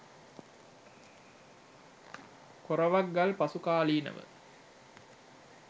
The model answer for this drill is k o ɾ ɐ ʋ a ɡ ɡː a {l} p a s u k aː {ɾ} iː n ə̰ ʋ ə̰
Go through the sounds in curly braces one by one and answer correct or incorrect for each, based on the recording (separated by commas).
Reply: correct, incorrect